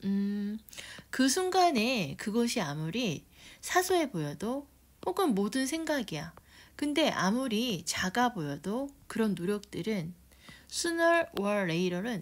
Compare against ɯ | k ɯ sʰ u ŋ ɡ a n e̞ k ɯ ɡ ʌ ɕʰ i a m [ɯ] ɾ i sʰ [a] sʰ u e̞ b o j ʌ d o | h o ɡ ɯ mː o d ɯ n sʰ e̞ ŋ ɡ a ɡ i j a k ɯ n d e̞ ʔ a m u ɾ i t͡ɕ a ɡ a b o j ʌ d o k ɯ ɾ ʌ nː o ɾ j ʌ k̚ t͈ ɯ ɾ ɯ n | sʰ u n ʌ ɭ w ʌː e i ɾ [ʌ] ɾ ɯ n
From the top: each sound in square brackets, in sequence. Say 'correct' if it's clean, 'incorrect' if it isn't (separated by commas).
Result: incorrect, correct, correct